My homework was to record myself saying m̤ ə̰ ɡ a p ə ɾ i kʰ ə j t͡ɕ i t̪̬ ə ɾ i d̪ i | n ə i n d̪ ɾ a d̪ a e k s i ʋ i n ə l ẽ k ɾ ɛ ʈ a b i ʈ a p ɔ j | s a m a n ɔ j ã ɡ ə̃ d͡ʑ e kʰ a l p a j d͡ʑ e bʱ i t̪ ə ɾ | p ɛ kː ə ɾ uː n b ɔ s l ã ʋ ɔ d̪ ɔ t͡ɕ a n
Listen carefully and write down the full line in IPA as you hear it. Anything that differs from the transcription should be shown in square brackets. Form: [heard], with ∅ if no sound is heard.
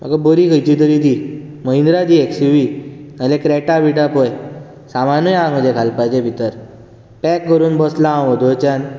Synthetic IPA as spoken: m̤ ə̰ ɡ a [b] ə ɾ i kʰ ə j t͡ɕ i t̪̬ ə ɾ i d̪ i | [m] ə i n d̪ ɾ a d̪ [i] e k s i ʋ i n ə l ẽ k ɾ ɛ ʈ a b i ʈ a p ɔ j | s a m a n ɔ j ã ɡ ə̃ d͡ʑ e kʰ a l p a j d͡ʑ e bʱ i t̪ ə ɾ | p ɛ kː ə ɾ uː n b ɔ s l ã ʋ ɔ d̪ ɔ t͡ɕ a n